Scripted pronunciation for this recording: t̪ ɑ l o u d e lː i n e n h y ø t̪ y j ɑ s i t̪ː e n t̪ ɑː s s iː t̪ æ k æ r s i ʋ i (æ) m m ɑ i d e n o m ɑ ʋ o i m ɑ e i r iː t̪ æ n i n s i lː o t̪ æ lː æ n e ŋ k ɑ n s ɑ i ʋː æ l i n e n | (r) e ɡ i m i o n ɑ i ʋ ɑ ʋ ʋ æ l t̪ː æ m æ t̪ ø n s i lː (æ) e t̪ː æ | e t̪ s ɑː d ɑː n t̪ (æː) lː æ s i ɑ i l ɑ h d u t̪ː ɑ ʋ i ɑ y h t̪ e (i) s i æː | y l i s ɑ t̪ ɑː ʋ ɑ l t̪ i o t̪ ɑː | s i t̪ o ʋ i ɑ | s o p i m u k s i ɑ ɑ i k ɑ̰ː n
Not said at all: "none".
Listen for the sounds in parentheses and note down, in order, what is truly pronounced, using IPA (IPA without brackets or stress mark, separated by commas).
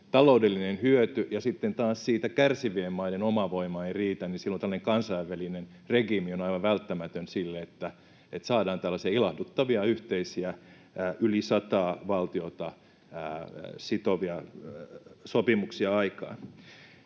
e, r, e, æ, i